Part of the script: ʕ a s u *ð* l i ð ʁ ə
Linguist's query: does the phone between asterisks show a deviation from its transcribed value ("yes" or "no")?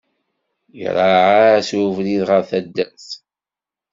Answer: yes